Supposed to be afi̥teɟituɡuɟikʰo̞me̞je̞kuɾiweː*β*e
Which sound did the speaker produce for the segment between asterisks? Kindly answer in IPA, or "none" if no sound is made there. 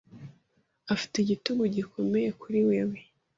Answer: w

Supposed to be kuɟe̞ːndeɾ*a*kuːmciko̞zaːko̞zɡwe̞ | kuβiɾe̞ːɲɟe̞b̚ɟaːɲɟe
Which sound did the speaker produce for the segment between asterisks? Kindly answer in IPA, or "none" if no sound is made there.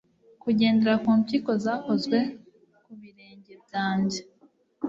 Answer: a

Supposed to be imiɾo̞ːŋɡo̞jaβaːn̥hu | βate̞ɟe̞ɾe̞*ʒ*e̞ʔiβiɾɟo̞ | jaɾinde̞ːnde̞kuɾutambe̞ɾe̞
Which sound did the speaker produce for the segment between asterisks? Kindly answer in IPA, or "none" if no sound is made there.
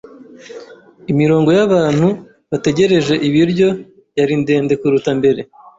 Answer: ʒ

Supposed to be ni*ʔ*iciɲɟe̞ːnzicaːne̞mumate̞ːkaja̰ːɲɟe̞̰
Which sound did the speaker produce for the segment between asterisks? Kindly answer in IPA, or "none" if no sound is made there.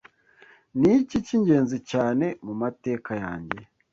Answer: c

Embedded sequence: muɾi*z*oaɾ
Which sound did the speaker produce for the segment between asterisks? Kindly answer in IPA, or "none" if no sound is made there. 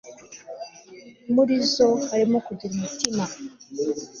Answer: z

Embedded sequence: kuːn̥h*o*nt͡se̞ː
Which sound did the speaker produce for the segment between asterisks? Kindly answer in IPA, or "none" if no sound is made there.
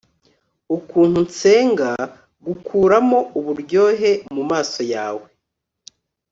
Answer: u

